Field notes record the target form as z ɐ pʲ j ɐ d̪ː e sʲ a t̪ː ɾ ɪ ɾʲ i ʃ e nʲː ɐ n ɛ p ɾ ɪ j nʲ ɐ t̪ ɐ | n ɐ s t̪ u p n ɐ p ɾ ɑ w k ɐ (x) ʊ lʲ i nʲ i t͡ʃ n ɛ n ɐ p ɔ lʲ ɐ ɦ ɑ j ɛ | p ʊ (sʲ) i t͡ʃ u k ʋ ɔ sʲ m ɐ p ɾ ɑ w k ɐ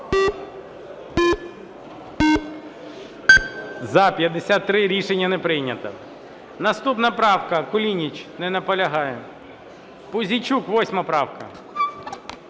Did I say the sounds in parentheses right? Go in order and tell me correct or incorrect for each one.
incorrect: k, incorrect: zʲ

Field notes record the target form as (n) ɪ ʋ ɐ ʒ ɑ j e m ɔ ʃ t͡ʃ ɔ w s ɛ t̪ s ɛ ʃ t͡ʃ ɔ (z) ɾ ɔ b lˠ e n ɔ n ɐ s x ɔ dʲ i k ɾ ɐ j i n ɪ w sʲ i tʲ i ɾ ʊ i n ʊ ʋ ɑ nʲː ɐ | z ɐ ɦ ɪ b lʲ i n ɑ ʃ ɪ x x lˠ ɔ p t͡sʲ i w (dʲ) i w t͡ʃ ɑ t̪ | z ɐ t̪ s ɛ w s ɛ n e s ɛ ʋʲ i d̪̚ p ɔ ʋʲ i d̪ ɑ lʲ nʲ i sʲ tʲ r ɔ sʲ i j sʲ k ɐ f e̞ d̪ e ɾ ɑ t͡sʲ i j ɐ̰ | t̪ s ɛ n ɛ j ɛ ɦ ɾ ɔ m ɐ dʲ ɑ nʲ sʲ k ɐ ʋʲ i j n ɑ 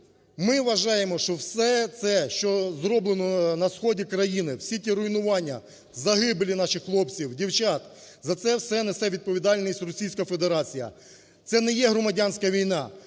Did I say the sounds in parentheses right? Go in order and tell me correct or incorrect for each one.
incorrect: m, correct, correct

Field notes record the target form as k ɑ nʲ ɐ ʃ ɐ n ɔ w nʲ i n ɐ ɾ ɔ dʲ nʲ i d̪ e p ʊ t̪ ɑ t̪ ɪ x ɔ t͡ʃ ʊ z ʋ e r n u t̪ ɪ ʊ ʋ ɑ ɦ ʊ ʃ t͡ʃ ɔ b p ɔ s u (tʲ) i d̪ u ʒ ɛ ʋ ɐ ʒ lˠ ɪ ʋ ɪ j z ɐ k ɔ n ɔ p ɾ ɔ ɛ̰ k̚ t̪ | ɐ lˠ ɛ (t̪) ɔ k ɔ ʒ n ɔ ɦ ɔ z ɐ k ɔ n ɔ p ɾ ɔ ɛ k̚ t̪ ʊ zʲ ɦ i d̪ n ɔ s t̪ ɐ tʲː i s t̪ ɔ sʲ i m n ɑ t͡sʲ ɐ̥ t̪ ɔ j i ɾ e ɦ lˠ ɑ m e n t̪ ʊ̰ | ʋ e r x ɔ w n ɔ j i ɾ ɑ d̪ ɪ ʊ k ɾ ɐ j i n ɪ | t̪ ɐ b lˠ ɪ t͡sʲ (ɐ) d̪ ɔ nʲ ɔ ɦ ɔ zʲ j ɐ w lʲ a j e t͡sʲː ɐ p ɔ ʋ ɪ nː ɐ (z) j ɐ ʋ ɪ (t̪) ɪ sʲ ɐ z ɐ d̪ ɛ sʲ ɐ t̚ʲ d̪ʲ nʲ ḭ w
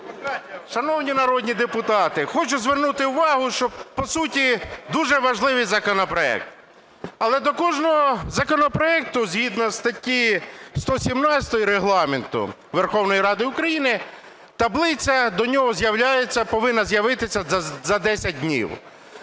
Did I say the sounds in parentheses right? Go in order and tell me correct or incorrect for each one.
correct, incorrect: d̪, correct, correct, correct

